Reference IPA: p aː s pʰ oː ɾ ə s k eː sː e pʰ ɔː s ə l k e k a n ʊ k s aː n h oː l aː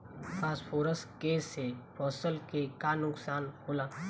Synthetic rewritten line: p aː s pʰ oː ɾ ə s k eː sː e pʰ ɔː s ə l k e k a n ʊ k s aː n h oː l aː